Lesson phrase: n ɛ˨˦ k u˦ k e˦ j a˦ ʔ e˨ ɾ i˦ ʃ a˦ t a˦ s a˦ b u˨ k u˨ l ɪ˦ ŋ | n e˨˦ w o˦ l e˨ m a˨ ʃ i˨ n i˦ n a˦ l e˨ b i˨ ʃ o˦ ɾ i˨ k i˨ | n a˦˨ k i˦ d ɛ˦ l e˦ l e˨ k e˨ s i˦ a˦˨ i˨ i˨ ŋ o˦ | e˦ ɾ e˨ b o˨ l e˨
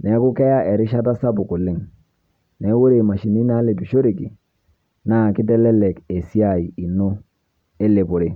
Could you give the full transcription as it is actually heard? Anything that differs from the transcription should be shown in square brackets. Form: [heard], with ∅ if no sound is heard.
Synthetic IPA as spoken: n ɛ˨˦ k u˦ k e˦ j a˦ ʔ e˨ ɾ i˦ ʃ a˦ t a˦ s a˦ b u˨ k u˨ l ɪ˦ ŋ | n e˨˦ w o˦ [ɾ] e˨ m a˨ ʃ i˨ n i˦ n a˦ l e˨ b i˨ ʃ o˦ ɾ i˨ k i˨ | n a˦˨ k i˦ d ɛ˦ l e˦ l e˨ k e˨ s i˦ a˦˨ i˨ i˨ [n] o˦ | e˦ [l] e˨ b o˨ [ɾ] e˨